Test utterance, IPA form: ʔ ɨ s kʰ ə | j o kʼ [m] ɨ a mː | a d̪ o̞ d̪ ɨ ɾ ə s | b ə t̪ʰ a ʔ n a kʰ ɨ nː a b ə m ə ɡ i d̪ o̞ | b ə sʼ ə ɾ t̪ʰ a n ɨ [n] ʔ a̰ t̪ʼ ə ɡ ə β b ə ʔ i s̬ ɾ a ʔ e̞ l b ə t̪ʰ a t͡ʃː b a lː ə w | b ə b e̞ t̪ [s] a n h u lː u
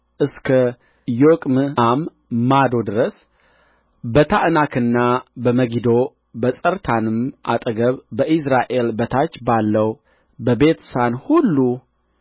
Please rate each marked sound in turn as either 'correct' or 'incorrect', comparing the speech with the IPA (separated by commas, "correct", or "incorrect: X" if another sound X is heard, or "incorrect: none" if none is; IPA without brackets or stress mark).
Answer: correct, incorrect: m, correct